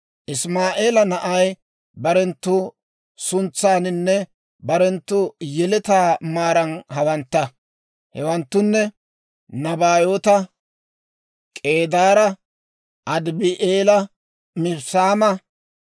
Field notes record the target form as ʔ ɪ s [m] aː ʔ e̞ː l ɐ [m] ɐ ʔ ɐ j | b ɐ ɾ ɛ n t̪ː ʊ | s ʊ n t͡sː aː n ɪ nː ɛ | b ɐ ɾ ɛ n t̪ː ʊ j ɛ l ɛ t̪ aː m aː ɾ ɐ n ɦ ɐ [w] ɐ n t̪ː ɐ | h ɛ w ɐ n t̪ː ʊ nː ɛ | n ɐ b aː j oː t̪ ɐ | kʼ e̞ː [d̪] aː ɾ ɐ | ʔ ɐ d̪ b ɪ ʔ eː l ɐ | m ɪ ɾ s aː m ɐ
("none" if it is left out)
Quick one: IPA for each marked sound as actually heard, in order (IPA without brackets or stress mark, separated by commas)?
m, n, w, d̪